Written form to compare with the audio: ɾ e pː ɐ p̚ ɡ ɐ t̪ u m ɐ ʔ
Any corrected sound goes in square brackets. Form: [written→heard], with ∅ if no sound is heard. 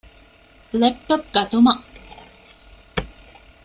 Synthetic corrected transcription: [ɾ→l] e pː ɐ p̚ ɡ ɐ t̪ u m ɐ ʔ

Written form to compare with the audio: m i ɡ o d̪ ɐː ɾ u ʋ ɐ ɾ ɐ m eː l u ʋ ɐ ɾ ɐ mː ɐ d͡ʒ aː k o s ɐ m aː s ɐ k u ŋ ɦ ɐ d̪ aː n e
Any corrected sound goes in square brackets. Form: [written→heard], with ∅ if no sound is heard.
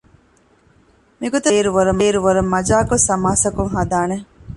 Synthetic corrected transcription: m i ɡ o [d̪→t̪] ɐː ɾ u ʋ ɐ ɾ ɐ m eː [l→ɾ] u ʋ ɐ ɾ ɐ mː ɐ d͡ʒ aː k o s ɐ m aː s ɐ k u ŋ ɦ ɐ d̪ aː n e

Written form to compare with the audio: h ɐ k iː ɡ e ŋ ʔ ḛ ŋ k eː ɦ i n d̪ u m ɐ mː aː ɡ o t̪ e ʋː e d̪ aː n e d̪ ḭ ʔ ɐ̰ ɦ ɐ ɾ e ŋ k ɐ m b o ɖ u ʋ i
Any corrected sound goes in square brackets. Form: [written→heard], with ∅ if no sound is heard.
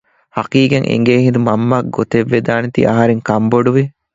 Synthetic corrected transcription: h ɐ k iː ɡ e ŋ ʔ ḛ ŋ [k→ɡ] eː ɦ i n d̪ u m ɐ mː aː ɡ o t̪ e ʋː e d̪ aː n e [d̪→t̪] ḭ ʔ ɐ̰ ɦ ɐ ɾ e ŋ k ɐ m b o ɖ u ʋ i

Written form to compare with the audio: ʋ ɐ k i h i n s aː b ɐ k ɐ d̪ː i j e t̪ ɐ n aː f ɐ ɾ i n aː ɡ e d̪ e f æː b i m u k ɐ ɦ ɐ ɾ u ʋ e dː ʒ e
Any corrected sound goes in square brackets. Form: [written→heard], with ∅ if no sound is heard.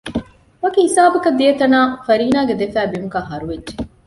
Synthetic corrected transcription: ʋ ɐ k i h i [n→∅] s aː b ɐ k ɐ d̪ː i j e t̪ ɐ n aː f ɐ ɾ [i→iː] n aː ɡ e d̪ e f æː b i m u k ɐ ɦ ɐ ɾ u ʋ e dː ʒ e

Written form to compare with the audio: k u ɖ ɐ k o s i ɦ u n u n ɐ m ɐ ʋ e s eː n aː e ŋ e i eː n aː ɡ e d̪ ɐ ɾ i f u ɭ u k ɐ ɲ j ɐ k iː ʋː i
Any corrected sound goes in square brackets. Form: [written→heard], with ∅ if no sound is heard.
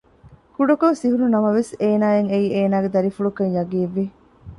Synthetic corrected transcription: k u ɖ ɐ k o s i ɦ u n u n ɐ m ɐ ʋ e s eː n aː e ŋ e i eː n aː ɡ e d̪ ɐ ɾ i f u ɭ u k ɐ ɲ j ɐ [k→ɡ] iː ʋː i

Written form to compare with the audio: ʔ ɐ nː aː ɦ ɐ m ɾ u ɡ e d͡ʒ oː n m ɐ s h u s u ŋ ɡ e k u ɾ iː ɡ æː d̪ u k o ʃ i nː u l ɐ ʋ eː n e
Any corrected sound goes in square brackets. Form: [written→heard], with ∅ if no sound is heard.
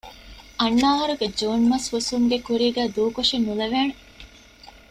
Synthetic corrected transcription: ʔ ɐ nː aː ɦ ɐ [m→∅] ɾ u ɡ e d͡ʒ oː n m ɐ s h u s u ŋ ɡ e k u ɾ iː ɡ æː d̪ [u→uː] k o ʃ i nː u l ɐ ʋ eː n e

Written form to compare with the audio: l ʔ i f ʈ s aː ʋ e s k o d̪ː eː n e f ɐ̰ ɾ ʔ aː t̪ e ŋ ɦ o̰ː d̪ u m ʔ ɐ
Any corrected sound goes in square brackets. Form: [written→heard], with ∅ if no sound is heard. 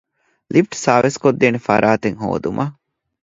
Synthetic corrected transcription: l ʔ i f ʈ s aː ʋ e s k o d̪ː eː n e f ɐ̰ ɾ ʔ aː t̪ e ŋ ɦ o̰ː d̪ u m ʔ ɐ

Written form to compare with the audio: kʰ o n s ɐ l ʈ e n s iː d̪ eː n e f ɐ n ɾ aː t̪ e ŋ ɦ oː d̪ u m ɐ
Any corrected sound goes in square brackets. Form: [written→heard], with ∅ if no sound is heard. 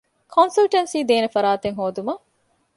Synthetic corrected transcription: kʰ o n s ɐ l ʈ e n s iː d̪ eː n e f ɐ [n→∅] ɾ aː t̪ e ŋ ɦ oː d̪ u m ɐ

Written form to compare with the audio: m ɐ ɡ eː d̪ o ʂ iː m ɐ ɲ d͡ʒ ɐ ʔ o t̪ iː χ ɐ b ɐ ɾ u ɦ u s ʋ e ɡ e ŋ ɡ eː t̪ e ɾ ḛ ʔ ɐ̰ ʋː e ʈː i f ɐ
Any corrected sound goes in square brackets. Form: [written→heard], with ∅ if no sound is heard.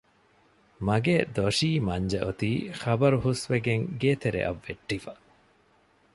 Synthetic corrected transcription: m ɐ ɡ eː d̪ o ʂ iː m ɐ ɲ d͡ʒ ɐ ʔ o t̪ iː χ ɐ b ɐ ɾ u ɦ u s ʋ e ɡ e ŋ ɡ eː t̪ e ɾ ḛ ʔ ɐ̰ ʋː e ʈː i f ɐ

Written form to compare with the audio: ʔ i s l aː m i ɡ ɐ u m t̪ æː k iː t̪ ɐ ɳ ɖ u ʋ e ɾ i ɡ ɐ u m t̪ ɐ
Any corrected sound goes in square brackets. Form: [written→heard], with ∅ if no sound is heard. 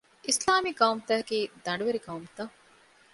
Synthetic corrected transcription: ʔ i s l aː m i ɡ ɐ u m t̪ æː k iː [t̪→d̪] ɐ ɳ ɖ u ʋ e ɾ i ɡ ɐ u m t̪ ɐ

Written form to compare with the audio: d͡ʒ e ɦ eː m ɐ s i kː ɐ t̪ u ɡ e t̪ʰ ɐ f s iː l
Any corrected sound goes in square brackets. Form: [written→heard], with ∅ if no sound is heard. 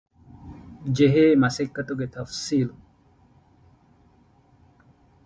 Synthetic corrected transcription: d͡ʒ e ɦ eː m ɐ s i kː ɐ t̪ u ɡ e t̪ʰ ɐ f s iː l

